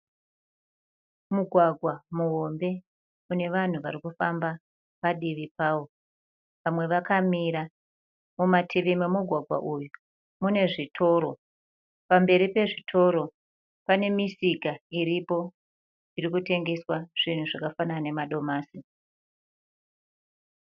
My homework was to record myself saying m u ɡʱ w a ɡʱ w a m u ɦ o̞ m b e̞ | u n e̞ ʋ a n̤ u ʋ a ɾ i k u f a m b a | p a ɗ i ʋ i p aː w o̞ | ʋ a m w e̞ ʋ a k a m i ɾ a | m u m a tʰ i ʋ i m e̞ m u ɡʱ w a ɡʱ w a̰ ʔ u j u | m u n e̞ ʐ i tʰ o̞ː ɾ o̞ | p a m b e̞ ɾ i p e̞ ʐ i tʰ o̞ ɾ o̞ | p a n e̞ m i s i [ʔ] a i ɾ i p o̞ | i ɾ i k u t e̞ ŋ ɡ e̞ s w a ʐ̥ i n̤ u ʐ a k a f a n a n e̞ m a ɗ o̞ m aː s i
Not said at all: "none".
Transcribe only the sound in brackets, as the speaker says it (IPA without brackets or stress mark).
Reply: k